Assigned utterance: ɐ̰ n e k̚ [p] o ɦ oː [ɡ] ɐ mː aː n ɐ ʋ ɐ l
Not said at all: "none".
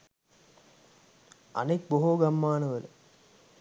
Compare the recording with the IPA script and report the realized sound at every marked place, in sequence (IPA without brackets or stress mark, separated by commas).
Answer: b, ɡ